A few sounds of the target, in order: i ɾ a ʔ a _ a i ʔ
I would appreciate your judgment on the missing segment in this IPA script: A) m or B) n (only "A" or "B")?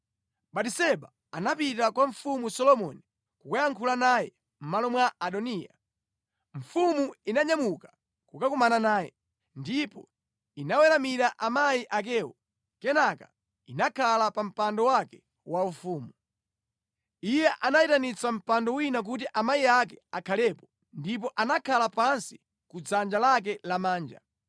A